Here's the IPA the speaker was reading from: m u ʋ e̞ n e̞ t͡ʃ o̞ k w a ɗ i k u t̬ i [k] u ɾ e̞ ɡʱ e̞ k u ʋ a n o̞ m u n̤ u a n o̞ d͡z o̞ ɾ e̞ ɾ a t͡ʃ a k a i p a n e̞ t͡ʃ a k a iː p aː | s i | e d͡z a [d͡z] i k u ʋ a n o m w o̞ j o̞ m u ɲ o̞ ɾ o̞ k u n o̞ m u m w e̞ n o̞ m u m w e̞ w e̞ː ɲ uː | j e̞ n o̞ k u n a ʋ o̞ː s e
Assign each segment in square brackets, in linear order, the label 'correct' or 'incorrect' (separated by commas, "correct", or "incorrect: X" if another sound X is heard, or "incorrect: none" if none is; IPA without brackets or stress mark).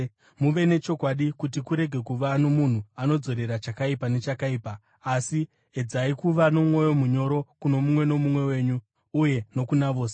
correct, incorrect: none